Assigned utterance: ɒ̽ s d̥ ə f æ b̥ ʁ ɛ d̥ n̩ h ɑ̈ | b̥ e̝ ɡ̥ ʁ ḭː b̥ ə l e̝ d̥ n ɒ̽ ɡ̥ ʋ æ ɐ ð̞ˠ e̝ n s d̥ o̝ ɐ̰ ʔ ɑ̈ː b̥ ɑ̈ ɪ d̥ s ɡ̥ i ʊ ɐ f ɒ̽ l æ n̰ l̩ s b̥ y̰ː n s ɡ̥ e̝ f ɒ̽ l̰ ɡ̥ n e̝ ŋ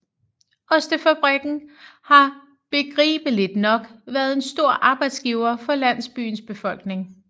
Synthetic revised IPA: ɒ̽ s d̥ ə f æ b̥ ʁ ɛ ɡ̥ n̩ h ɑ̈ | b̥ e̝ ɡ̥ ʁ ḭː b̥ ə l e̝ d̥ n ɒ̽ ɡ̥ ʋ æ ɐ ð̞ˠ e̝ n s d̥ o̝ ɐ̰ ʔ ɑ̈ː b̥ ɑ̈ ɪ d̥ s ɡ̥ i ʊ ɐ f ɒ̽ l æ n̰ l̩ s b̥ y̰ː n s b̥ e̝ f ɒ̽ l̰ ɡ̥ n e̝ ŋ